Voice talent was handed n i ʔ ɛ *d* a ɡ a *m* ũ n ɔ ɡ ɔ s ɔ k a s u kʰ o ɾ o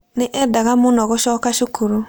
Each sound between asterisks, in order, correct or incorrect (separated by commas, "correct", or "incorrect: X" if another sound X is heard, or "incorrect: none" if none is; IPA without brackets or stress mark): correct, correct